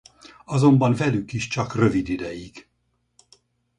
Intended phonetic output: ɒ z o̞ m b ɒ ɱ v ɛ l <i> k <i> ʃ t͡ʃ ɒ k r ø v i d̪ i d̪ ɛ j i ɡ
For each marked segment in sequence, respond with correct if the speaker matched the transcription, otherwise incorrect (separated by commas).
incorrect, correct